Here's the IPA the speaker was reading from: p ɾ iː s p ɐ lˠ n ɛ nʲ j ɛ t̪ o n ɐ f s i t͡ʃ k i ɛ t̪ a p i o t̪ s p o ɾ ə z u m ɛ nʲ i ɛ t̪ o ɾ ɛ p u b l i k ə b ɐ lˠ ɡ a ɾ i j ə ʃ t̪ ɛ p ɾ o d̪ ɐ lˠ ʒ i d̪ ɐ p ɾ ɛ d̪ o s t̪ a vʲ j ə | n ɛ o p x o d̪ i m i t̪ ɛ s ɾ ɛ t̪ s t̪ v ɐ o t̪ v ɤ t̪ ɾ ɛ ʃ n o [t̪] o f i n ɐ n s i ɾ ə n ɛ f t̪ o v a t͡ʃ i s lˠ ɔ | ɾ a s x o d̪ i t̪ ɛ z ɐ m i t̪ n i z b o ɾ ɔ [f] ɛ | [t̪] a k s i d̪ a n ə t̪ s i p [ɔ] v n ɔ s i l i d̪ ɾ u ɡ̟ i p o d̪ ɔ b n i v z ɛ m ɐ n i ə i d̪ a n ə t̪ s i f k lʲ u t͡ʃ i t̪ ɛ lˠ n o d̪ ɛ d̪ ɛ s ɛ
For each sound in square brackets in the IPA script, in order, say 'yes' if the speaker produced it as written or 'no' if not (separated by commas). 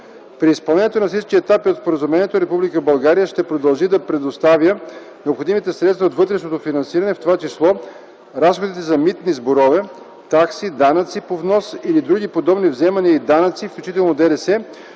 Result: yes, no, yes, no